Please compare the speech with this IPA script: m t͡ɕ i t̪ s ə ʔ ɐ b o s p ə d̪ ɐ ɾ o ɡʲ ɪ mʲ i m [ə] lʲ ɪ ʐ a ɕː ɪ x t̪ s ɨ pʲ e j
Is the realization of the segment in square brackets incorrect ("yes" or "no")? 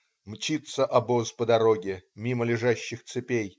no